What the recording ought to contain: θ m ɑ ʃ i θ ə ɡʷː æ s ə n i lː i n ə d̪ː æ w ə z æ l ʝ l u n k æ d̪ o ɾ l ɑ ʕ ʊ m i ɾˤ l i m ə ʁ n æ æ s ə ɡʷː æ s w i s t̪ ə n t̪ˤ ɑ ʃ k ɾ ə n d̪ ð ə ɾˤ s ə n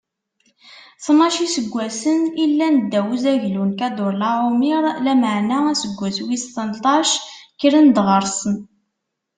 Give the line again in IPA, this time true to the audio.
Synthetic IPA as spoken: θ m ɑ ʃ i s ə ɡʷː æ s ə n i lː æ n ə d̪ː æ w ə z æ ʝ l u n k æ d̪ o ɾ l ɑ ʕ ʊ m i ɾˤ l æ m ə ʕ n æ æ s ə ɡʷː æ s w i s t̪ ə n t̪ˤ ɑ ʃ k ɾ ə n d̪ ʁ ə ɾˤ s ə n